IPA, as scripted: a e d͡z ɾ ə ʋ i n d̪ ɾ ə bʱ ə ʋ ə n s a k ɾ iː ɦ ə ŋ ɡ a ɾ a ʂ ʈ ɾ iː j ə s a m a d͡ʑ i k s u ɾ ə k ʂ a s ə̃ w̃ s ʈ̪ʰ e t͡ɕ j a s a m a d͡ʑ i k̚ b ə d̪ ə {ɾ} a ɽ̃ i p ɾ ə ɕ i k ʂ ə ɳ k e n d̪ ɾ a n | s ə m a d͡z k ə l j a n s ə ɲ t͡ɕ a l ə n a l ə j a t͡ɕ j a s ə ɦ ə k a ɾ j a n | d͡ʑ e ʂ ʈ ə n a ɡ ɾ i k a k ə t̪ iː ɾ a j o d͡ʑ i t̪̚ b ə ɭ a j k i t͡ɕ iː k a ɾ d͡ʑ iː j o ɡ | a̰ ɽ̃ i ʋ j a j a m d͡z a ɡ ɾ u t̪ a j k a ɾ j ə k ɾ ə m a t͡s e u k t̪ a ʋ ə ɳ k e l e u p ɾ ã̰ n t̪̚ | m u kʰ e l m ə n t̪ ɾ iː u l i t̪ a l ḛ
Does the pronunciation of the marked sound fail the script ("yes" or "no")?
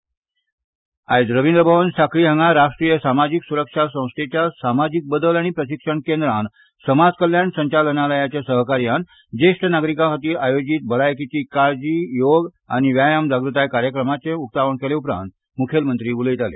yes